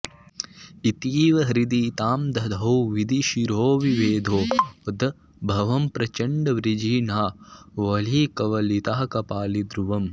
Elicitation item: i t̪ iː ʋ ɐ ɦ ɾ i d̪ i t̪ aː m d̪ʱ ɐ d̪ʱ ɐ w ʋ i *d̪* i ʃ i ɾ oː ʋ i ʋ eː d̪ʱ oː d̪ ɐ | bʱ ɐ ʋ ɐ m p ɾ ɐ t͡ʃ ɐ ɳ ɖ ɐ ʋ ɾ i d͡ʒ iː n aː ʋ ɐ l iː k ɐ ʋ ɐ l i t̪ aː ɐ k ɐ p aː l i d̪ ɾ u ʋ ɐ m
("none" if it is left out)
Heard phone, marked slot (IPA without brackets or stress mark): d̪